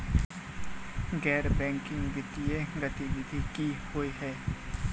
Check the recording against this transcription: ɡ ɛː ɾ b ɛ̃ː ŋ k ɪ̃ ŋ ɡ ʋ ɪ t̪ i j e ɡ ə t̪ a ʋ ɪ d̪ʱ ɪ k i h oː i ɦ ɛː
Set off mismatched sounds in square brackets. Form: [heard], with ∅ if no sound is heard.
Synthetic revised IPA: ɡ ɛː ɾ b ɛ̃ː ŋ k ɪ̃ ŋ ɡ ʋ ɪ t̪ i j e ɡ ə t̪ [i] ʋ ɪ d̪ʱ [i] k i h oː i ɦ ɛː